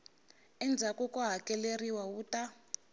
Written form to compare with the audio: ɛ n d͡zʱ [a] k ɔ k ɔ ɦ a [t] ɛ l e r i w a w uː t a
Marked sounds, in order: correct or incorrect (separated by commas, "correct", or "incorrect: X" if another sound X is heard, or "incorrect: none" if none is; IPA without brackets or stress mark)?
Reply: correct, incorrect: k